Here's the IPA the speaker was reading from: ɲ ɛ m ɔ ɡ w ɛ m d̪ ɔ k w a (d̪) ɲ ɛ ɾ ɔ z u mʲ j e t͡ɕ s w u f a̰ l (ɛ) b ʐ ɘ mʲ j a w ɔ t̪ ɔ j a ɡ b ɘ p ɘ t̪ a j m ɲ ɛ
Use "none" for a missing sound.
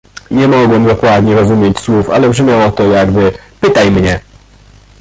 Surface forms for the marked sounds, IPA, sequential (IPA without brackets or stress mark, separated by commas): d̪, ɛ